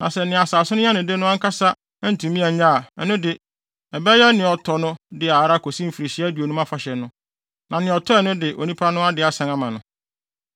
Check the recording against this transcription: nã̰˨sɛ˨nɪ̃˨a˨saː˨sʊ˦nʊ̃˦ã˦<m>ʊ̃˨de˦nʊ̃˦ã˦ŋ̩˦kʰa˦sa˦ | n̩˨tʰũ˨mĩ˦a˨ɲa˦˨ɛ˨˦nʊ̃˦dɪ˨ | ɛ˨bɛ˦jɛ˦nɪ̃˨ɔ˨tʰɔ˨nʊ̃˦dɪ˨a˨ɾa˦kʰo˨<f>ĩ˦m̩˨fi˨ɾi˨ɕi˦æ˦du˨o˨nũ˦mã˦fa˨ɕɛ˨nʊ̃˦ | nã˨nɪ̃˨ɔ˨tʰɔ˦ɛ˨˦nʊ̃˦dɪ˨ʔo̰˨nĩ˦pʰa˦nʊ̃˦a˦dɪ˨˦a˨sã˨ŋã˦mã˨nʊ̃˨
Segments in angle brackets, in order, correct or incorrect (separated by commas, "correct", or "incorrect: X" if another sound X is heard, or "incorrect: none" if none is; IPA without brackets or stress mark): incorrect: n, incorrect: s